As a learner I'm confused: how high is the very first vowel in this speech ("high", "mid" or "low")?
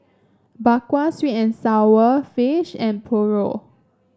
low